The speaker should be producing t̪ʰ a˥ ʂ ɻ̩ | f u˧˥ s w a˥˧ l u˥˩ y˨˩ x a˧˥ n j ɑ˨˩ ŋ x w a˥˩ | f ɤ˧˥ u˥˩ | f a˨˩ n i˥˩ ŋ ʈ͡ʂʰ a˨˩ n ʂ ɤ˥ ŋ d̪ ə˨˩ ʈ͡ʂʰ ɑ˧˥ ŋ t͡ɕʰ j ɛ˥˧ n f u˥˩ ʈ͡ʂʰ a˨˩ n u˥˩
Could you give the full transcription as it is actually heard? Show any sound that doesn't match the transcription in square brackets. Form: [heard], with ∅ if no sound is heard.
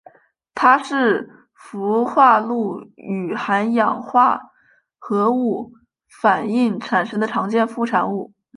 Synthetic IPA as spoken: t̪ʰ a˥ ʂ ɻ̩ | f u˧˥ [x] w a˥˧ l u˥˩ y˨˩ x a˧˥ n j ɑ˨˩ ŋ x w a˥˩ | [x] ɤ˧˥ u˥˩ | f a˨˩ n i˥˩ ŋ ʈ͡ʂʰ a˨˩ n ʂ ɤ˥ ŋ d̪ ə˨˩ ʈ͡ʂʰ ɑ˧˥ ŋ [t͡ɕ] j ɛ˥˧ n f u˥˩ ʈ͡ʂʰ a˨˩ n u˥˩